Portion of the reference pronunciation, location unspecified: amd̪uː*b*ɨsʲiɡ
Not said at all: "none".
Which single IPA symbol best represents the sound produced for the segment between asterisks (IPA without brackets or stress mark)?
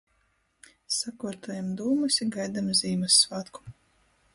m